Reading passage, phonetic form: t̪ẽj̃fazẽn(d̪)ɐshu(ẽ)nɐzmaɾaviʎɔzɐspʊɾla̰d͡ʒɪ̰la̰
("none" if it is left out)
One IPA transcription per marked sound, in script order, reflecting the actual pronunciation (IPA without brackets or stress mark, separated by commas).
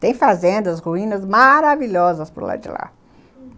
d̪, ĩ